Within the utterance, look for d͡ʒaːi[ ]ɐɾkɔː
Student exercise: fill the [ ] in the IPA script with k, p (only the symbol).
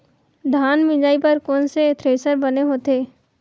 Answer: p